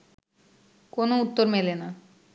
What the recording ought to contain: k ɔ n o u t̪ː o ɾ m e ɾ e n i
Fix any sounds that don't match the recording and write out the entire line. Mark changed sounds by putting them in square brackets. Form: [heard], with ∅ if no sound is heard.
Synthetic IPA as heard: k [o] n o u t̪ː o ɾ m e [l] e n [a]